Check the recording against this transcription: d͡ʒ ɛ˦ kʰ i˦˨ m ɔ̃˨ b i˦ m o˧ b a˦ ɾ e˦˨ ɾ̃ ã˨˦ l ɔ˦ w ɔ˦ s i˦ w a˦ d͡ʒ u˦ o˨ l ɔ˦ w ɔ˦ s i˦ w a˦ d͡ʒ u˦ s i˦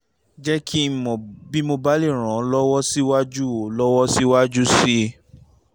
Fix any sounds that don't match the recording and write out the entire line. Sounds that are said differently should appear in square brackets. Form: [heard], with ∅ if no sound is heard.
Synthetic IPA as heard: d͡ʒ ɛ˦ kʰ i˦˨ m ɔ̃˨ b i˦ m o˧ b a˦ [l] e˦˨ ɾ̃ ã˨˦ l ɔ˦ w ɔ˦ s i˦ w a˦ d͡ʒ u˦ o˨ l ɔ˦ w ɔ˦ s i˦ w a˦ d͡ʒ u˦ s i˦